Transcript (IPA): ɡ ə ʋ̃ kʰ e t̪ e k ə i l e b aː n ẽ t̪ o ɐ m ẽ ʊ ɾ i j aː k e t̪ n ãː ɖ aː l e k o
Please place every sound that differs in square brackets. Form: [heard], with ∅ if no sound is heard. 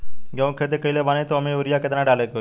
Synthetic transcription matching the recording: ɡ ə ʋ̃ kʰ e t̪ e k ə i l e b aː n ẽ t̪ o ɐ m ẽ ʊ ɾ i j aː k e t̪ n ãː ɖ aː l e k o